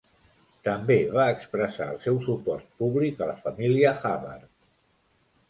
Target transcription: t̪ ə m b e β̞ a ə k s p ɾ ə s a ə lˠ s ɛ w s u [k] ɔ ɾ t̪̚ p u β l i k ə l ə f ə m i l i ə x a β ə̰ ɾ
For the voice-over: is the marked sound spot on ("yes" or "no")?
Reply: no